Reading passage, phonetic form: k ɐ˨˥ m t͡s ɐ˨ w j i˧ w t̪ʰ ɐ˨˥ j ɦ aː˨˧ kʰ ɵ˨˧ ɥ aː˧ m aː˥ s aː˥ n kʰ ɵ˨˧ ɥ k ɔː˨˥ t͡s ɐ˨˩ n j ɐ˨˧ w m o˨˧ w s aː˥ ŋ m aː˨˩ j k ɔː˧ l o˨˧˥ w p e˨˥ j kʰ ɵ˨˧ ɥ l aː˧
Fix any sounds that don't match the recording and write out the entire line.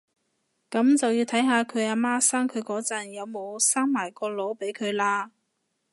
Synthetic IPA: k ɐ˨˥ m t͡s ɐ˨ w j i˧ w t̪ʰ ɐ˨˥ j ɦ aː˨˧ kʰ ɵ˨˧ ɥ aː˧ m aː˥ s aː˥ ŋ kʰ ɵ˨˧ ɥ k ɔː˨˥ t͡s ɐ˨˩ n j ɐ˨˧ w m o˨˧ w s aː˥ ŋ m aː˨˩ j k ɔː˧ l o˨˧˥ w p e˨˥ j kʰ ɵ˨˧ ɥ l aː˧